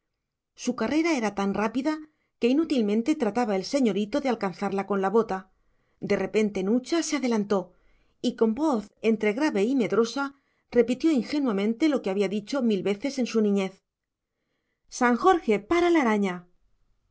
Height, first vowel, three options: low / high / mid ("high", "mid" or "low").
high